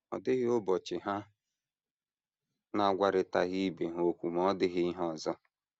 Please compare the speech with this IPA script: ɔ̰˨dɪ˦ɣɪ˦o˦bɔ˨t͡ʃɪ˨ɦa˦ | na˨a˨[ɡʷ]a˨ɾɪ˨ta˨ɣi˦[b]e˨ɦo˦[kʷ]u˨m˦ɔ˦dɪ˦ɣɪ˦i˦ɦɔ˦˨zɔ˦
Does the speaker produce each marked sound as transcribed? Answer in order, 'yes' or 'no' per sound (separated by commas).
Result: yes, yes, yes